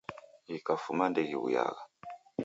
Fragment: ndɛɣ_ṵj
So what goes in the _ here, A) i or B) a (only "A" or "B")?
A